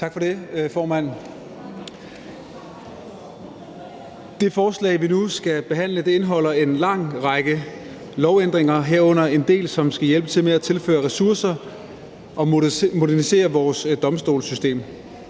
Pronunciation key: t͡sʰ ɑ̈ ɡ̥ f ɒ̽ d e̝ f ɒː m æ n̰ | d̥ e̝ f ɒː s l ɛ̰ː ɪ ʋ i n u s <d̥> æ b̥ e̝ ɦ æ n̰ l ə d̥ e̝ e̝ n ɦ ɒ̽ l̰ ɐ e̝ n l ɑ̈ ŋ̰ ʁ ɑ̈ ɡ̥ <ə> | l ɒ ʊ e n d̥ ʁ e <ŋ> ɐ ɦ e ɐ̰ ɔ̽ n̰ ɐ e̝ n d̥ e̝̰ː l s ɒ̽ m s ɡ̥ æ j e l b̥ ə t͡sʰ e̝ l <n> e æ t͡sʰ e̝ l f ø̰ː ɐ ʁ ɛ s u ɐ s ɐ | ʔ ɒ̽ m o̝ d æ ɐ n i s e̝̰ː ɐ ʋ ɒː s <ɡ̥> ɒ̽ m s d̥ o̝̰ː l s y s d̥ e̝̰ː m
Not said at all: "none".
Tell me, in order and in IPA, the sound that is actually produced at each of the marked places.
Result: ɡ̥, ə, ŋ, m, d̥

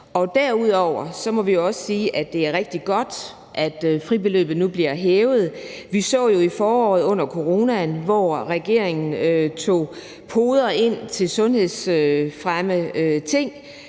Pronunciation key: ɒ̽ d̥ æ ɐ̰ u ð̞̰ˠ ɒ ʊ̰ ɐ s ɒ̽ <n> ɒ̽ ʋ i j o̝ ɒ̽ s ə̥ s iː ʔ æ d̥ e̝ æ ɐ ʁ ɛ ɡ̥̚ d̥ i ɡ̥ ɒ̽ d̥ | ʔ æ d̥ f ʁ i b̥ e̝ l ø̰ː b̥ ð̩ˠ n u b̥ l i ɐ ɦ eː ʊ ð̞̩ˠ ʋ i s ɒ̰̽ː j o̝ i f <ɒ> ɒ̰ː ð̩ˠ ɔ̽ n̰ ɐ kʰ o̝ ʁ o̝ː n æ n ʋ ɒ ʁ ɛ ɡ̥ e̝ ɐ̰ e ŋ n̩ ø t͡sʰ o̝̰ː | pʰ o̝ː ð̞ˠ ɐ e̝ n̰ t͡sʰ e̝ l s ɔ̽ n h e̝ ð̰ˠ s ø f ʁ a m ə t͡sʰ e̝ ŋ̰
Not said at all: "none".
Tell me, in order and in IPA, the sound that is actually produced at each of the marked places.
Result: m, ɒː

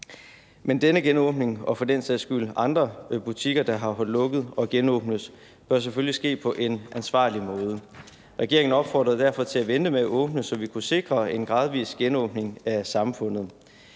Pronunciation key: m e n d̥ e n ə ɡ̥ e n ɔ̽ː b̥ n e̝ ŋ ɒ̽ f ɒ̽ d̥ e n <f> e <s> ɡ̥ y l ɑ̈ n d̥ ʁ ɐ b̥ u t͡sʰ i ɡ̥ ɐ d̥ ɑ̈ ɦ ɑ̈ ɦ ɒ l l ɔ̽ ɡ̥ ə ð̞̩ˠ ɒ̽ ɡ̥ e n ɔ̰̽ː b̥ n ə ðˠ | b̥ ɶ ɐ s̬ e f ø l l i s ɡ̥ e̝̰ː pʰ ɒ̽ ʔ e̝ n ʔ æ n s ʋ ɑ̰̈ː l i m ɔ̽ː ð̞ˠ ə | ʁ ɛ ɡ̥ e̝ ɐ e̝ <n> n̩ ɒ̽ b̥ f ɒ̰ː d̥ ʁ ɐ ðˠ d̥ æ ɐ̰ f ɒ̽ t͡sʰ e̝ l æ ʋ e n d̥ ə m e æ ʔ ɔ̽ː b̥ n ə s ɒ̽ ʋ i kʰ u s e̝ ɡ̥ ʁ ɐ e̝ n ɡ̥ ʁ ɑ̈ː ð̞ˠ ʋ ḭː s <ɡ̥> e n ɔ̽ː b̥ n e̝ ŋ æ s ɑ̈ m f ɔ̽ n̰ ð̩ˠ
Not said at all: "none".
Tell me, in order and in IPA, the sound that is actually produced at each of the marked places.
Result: s, s, ŋ, ɡ̥

